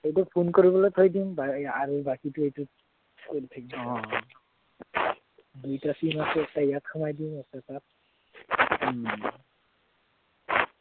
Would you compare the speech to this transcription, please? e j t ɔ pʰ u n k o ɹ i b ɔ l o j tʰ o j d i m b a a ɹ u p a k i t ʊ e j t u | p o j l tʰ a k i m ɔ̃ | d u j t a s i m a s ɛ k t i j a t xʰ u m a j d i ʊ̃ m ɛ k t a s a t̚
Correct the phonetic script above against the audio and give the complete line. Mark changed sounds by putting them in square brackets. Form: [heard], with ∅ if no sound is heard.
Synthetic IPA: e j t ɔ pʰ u n k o ɹ i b ɔ l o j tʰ o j d i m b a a ɹ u [b] a k i t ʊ e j t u | [k] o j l tʰ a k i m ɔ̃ | d u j t a s i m a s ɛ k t [a] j a t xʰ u m a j d i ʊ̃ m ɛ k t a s a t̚